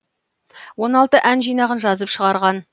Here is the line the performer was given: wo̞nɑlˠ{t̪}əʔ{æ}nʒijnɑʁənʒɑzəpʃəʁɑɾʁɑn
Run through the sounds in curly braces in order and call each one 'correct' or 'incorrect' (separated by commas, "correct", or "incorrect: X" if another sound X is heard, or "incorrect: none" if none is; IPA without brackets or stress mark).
correct, correct